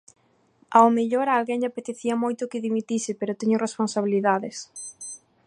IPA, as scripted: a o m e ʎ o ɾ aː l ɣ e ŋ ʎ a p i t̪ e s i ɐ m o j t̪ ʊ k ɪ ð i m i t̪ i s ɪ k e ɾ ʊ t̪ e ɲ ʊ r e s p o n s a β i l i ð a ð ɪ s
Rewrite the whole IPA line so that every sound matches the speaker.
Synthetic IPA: a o m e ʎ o ɾ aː l ɣ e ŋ ʎ a p e t̪ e θ i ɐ m o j t̪ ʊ k ɪ ð i m i t̪ i s ɪ p e ɾ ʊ t̪ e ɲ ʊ r e s p o n s a β i l i ð a ð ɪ s